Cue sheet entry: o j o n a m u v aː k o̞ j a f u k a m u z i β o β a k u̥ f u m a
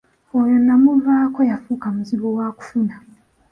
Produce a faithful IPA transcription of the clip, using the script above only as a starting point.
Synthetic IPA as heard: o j o n a m u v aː k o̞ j a f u k a m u z i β o w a k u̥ f u n a

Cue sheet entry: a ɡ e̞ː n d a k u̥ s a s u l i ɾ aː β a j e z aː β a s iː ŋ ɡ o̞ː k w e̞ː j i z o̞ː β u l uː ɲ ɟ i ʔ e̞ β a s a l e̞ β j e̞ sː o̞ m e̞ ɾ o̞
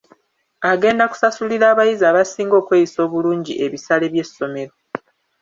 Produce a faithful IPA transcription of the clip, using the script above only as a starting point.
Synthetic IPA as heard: a ɡ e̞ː n d a k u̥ s a s u l i ɾ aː β a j i z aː β a s iː ŋ ɡ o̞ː k w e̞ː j i s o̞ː β u l uː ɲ ɟ i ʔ e̞ β i s a l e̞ β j e̞ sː o̞ m e̞ ɾ o̞

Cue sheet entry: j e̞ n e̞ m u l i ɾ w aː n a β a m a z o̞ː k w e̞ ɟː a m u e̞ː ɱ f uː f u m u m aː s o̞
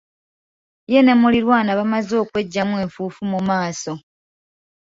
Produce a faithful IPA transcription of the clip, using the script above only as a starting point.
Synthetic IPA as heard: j e̞ n e̞ m u l i ɾ w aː n a β a m a z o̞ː k w e̞ ɟː a m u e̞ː ɱ f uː f u m u m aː s o̞

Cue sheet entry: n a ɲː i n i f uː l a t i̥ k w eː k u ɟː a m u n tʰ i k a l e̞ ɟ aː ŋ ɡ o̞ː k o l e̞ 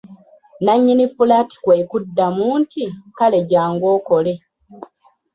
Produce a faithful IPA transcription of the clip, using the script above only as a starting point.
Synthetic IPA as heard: n a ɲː i n i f u l a t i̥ k w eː k u dː a m uː n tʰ i k a l e̞ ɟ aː ŋ ɡ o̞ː k o l e̞

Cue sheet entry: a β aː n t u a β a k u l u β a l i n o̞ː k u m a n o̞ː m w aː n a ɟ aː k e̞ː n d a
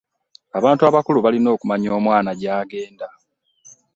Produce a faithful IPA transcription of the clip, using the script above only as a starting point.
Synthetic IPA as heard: a β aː n t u a β a k u l u β a l i n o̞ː k u m a ɲ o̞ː m w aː n a ɟ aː ɡ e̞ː n d a

